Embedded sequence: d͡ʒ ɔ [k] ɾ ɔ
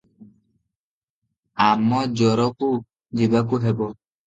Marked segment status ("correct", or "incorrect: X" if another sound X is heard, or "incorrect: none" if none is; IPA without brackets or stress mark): incorrect: none